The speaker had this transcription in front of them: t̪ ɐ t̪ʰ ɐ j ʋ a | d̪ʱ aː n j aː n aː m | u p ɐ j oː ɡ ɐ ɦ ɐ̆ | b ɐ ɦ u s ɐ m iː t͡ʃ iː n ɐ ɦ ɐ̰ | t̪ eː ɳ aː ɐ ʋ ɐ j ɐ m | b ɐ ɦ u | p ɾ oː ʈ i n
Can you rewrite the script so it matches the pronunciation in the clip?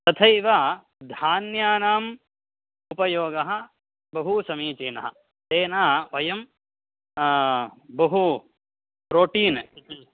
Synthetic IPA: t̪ ɐ t̪ʰ ɐ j ʋ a | d̪ʱ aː n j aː n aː m | u p ɐ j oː ɡ ɐ ɦ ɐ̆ | b ɐ ɦ u s ɐ m iː t͡ʃ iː n ɐ ɦ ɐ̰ | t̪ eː n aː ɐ ʋ ɐ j ɐ m | b ɐ ɦ u | p ɾ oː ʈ iː n